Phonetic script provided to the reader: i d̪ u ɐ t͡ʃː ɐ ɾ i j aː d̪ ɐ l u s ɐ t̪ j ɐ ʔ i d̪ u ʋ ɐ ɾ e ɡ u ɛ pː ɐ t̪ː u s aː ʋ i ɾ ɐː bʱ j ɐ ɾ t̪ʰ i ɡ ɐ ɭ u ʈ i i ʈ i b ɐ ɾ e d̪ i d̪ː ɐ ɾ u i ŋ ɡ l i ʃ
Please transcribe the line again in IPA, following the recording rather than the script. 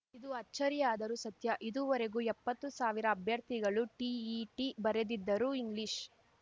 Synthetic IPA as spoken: i d̪ u ɐ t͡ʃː ɐ ɾ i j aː d̪ ɐ ɾ u s ɐ t̪ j ɐ ʔ i d̪ u ʋ ɐ ɾ e ɡ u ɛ pː ɐ t̪ː u s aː ʋ i ɾ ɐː bʱ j ɐ ɾ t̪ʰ i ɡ ɐ ɭ u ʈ i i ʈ i b ɐ ɾ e d̪ i d̪ː ɐ ɾ u i ŋ ɡ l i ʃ